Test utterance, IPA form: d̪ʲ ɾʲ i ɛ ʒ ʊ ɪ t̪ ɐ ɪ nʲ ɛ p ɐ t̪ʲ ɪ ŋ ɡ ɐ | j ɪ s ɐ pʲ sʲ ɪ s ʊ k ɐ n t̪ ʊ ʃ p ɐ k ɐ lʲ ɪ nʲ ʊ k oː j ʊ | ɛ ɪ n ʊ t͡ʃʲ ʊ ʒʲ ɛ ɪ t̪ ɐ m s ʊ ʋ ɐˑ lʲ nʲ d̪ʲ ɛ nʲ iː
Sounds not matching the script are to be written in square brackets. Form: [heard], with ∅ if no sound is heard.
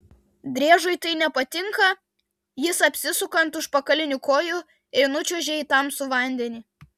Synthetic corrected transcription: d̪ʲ ɾʲ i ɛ ʒ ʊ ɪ t̪ ɐ ɪ nʲ ɛ p ɐ t̪ʲ ɪ ŋ [k] ɐ | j ɪ s ɐ pʲ sʲ ɪ s ʊ k ɐ n t̪ ʊ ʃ p ɐ k ɐ lʲ ɪ nʲ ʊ k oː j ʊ | ɛ ɪ n ʊ t͡ʃʲ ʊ ʒʲ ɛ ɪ t̪ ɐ m s ʊ ʋ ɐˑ [∅] nʲ d̪ʲ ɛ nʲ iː